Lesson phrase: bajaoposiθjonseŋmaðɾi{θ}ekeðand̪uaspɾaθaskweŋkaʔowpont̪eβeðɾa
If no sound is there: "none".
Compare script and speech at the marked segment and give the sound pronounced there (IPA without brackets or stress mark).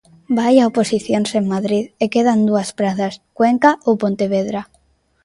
ð